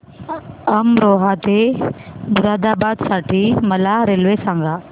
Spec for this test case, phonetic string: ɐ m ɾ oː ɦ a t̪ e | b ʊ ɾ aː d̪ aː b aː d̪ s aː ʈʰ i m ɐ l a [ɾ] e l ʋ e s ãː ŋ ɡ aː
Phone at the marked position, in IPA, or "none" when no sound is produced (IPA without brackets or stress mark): ɾ